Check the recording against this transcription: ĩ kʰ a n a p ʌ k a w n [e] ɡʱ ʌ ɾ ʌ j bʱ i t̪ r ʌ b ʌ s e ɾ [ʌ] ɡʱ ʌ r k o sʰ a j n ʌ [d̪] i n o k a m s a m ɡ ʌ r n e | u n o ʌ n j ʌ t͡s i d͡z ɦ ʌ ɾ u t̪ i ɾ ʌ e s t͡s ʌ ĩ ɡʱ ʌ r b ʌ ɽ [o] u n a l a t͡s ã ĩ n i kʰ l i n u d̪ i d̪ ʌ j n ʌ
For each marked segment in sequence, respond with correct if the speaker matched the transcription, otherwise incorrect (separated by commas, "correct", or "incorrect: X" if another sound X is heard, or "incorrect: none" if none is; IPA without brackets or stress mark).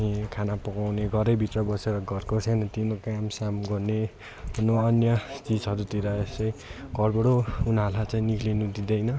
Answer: correct, correct, incorrect: t̪, correct